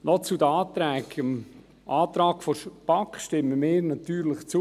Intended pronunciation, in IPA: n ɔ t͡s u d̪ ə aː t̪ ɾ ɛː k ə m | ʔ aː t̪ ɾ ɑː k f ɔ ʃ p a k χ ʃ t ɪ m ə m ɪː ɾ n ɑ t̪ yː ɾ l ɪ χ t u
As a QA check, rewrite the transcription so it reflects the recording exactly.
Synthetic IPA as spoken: n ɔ t͡s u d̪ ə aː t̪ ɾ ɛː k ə m | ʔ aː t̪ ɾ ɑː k f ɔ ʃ p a k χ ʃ t ɪ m ə m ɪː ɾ n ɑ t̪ yː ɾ l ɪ χ t͡s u

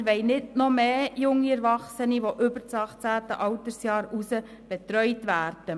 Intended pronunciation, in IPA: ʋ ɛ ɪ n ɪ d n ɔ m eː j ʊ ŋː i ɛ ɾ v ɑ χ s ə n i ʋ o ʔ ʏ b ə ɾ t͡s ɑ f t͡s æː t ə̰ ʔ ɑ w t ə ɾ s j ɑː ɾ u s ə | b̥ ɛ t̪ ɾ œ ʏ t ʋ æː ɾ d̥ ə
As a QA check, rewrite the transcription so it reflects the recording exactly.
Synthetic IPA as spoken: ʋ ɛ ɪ n ɪ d n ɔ m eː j ʊ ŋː i ɛ ɾ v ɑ χ s ə n i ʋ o ʔ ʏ b ə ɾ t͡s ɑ χ t͡s æː t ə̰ ʔ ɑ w t ə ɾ s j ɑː ɾ u s ə | b̥ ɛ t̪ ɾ œ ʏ t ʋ æː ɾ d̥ ə

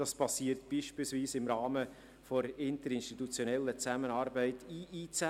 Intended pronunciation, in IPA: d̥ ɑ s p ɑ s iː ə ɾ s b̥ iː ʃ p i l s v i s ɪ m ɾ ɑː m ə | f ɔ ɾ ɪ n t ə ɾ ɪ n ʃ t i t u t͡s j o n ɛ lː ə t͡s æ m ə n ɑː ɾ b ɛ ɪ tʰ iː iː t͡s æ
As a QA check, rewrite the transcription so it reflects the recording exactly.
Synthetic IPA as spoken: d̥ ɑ s p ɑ s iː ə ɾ t b̥ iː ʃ p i l s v iː s ɪ m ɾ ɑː m ə | f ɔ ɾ ɪ n t ə ɾ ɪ n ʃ t i t u t͡s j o n ɛ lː ə t͡s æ m ə n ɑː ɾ b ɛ ɪ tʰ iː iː t͡s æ

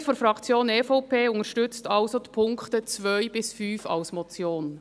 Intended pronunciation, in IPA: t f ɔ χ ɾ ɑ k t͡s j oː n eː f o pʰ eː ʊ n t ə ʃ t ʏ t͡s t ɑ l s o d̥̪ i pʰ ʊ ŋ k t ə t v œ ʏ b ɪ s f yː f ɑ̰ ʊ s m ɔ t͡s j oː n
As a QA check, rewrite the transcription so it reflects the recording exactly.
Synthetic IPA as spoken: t f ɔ f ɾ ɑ k t͡s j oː n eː f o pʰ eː ʊ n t ə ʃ t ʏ t͡s t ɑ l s o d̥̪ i pʰ ʊ ŋ k t ə t͡s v œ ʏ b ɪ s f yː f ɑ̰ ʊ s m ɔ t͡s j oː n

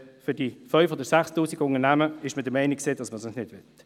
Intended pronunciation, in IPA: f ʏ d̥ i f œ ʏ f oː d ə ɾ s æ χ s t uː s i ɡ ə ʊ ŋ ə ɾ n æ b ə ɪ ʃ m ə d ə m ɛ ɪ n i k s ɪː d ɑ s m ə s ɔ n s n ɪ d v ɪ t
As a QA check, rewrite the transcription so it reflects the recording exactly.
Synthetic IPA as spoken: f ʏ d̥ i f œ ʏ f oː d ə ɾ s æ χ s t uː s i ɡ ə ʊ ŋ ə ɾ n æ m ə ɪ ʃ m ə d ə m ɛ ɪ n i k s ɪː d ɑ s m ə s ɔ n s n ɪ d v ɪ t

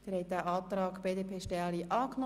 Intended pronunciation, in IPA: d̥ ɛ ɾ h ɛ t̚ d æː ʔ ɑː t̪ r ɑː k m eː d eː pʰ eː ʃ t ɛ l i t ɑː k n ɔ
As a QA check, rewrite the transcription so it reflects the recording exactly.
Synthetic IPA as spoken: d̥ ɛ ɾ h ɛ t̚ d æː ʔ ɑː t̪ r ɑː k b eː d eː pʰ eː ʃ t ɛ l i ʔ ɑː k n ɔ

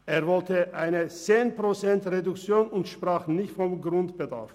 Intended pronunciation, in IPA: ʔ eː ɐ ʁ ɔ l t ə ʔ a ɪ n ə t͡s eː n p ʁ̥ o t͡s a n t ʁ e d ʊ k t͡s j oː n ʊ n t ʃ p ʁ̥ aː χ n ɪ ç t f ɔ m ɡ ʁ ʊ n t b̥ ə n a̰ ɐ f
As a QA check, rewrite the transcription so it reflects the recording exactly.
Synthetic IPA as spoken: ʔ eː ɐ v ɔ l t ə ʔ a ɪ n ə t͡s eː n p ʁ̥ o t͡s ɛ n t ʁ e d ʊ k t͡s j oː n ʊ n t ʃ p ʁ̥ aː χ n ɪ ç t f ɔ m ɡ ʁ ʊ n t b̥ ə d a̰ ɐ f

